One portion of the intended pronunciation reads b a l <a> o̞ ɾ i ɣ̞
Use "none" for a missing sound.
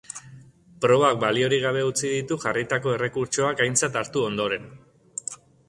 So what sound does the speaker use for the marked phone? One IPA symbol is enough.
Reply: i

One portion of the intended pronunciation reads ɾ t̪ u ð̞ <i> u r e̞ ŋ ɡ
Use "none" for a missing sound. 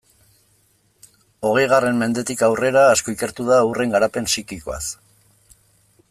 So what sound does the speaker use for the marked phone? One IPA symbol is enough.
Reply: a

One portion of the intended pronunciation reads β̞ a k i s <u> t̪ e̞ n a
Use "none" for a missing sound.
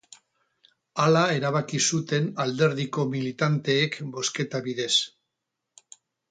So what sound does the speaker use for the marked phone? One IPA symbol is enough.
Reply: u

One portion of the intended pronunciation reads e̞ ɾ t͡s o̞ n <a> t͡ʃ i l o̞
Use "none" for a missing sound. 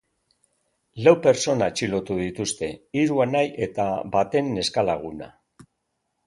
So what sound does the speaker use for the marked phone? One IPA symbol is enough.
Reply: a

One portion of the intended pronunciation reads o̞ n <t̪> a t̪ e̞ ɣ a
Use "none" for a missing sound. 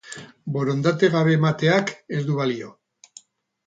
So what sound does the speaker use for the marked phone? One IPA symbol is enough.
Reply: d̪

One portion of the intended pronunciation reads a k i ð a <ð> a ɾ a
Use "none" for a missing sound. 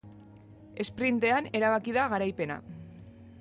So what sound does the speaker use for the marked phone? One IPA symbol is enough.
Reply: ɣ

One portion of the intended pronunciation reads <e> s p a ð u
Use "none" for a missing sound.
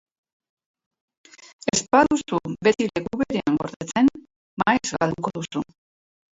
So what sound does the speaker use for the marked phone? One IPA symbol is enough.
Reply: e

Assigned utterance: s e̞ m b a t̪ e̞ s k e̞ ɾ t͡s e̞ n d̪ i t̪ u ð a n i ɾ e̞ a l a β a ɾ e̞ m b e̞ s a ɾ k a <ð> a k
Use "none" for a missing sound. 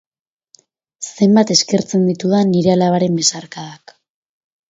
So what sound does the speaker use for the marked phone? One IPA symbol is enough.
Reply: ð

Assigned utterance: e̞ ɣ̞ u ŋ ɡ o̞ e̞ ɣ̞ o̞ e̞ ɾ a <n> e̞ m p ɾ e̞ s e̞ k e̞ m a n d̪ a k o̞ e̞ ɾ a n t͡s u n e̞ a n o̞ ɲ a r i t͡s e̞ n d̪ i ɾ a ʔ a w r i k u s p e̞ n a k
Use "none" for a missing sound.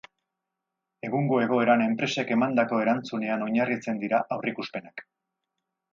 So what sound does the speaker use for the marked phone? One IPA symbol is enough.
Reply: n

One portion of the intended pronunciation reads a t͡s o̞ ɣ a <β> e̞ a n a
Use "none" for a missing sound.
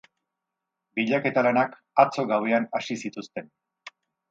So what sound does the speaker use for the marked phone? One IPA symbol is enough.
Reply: w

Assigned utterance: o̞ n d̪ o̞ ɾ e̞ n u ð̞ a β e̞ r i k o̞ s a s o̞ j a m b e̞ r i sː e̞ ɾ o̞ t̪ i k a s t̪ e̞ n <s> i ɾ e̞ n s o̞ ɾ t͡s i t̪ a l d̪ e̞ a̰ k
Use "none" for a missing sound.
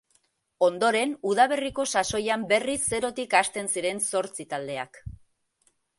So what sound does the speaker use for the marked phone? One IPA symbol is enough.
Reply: s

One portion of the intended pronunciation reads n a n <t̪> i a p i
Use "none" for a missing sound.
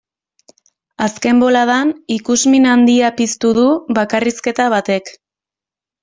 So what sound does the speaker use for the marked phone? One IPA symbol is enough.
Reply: d̪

